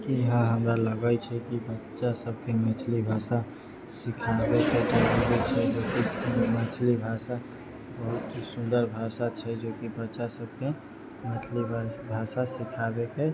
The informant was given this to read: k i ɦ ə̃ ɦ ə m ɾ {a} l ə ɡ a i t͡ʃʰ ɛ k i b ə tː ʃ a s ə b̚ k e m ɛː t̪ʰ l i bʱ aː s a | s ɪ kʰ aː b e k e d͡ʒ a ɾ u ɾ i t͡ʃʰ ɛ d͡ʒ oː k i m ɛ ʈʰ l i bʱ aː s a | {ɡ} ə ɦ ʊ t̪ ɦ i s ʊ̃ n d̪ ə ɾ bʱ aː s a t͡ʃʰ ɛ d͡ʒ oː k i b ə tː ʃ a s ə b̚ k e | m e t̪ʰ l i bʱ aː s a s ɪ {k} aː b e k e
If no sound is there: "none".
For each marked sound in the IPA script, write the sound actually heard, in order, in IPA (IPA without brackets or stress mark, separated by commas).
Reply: a, b, kʰ